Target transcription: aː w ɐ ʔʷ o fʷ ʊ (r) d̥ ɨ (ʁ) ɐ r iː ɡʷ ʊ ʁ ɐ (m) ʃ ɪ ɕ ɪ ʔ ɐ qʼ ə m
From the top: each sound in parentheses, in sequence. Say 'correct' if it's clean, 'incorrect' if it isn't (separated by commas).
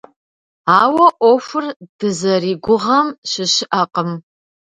correct, incorrect, correct